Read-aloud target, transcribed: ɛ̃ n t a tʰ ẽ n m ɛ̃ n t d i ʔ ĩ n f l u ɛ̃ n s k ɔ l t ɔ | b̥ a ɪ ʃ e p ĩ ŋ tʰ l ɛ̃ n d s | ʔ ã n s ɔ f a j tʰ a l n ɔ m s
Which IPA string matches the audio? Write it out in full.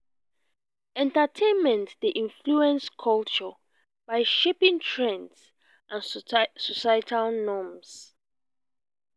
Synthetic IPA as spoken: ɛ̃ n t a tʰ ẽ n m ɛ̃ n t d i ʔ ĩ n f l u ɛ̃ n s kʰ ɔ l t͡ʃ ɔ | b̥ a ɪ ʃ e p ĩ ŋ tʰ ɹ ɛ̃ n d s | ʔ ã n s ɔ s a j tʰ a l n ɔ m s